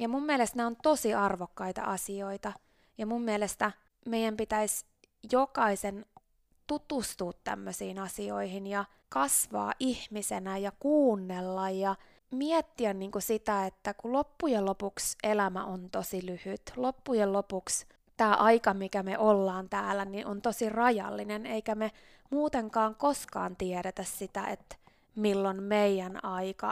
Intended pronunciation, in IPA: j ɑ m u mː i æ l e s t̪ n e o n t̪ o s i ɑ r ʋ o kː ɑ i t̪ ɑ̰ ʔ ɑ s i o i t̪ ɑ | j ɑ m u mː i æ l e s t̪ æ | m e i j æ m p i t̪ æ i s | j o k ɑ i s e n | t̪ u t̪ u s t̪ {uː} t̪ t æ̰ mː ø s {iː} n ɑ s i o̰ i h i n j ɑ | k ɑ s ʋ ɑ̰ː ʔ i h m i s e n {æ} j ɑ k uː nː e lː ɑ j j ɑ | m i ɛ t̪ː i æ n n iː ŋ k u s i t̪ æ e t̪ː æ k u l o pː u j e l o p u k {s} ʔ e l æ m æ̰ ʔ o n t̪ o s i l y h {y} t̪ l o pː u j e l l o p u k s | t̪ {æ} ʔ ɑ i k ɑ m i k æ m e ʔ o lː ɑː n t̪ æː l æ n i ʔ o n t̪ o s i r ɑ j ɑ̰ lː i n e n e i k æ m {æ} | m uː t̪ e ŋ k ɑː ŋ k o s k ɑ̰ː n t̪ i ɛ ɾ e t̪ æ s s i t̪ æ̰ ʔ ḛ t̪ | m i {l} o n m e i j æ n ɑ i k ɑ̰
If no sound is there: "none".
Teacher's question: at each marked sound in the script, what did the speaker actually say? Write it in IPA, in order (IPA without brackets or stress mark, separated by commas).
uː, iː, æ, s, y, æː, e, lː